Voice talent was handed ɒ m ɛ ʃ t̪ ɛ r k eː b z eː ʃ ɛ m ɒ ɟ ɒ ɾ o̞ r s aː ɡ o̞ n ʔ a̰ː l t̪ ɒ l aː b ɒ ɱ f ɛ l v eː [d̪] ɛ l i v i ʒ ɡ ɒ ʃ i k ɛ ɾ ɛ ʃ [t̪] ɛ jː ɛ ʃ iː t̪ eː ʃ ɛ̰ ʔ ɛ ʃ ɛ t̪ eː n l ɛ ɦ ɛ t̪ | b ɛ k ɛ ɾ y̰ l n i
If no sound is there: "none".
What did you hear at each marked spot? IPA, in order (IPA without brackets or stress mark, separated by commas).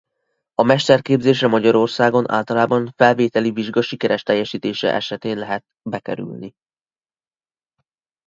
t̪, t̪